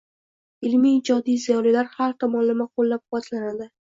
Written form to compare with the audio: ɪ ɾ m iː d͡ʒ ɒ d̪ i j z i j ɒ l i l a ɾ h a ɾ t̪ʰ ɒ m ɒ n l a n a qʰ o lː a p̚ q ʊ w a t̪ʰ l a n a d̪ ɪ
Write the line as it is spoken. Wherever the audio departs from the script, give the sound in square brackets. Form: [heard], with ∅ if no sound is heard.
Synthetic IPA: ɪ [l] m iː d͡ʒ ɒ d̪ i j z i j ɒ l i l a ɾ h a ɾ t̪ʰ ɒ m ɒ n l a [m] a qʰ o lː a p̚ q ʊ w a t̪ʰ l a n a d̪ ɪ